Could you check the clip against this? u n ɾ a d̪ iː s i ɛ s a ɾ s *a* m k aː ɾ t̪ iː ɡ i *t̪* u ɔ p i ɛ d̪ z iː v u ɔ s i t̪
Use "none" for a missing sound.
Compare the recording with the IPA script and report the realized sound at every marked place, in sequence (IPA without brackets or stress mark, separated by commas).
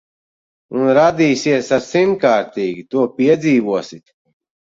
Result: i, t̪